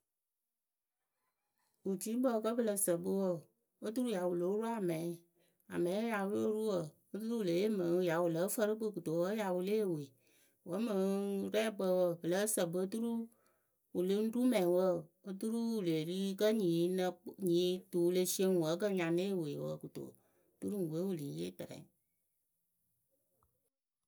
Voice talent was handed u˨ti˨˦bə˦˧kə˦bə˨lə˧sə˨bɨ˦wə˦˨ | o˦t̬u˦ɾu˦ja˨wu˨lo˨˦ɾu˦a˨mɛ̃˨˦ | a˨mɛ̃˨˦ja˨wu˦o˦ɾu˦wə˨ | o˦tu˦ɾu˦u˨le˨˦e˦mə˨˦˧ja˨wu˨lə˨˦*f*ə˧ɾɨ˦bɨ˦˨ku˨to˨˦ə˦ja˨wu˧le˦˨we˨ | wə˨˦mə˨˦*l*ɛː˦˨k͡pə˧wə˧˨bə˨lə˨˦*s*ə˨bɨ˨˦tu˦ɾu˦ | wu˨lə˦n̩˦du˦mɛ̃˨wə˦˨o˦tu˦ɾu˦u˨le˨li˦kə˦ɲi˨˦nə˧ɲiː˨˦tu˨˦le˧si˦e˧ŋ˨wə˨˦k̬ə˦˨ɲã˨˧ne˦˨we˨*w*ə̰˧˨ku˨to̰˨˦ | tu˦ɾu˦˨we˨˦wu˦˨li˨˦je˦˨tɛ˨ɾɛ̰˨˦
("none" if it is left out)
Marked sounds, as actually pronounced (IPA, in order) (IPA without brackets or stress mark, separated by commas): f, ɾ, s, w